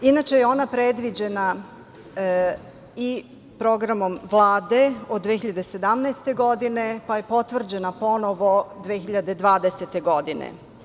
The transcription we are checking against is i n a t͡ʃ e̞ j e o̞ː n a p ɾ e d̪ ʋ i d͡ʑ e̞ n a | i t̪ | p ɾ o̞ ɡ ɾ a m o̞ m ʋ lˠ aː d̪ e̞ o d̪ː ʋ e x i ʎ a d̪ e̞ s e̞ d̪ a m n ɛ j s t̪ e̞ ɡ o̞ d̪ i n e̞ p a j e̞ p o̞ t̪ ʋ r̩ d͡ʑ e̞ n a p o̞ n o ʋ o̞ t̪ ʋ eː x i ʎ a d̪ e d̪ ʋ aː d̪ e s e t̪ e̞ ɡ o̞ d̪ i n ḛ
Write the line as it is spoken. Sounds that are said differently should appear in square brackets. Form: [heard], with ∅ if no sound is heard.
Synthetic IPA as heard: i n a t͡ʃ e̞ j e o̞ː n a p ɾ e d̪ ʋ i d͡ʑ e̞ n a | i [∅] | p ɾ o̞ ɡ ɾ a m o̞ m ʋ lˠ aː d̪ e̞ o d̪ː ʋ e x i ʎ a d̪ e̞ s e̞ d̪ a m n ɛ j s t̪ e̞ ɡ o̞ d̪ i n e̞ p a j e̞ p o̞ t̪ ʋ r̩ d͡ʑ e̞ n a p o̞ n o ʋ o̞ [d̪] ʋ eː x i ʎ a d̪ e d̪ ʋ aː d̪ e s e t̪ e̞ ɡ o̞ d̪ i n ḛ